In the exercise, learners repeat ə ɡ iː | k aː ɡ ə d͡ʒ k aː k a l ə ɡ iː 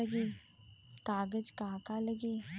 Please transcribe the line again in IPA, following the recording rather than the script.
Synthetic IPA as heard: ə ɡ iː | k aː ɡ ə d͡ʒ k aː k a l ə ɡ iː